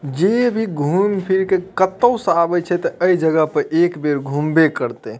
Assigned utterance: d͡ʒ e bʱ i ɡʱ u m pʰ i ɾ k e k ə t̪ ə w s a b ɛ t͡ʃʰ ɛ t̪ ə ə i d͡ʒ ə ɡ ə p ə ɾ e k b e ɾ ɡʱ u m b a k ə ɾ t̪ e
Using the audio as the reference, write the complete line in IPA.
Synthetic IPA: d͡ʒ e bʱ i ɡʱ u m pʰ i ɾ k e k ə t̪ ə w s a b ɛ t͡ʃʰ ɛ t̪ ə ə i d͡ʒ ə ɡ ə p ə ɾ e k b e ɾ ɡʱ u m b e k ə ɾ t̪ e